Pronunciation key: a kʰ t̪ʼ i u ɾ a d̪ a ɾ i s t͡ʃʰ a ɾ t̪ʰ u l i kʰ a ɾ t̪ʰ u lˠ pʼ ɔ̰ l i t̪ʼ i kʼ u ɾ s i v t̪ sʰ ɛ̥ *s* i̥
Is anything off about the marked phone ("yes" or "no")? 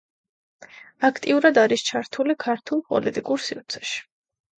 yes